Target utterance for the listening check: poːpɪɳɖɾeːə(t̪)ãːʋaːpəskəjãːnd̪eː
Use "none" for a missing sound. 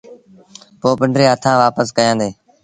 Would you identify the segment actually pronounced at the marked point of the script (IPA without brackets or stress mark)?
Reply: t̪ʰ